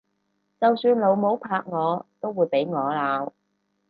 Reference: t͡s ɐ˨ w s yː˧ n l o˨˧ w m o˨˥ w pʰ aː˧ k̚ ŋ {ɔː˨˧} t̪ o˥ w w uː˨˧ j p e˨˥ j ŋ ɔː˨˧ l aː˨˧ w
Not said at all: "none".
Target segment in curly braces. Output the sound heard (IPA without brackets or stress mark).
ɔː˨˧